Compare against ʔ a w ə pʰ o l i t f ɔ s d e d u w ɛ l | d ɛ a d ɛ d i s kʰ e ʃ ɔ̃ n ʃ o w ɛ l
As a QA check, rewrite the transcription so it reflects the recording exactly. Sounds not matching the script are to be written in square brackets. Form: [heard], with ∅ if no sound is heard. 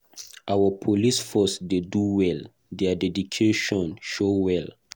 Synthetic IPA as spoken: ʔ a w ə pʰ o l i [s] f ɔ s d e d u w ɛ l | d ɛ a d ɛ d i [∅] kʰ e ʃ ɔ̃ n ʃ o w ɛ l